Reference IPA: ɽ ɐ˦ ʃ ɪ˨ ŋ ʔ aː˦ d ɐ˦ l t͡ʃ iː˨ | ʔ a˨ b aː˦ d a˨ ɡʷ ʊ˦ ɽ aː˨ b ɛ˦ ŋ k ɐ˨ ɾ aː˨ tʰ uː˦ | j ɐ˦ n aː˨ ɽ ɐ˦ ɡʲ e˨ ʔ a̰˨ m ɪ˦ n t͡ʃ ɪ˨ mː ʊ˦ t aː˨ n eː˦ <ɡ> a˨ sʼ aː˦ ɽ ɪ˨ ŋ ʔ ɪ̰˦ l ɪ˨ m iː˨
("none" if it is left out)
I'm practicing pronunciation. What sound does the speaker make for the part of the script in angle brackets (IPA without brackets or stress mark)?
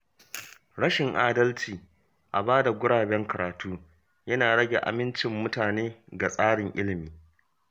ɡ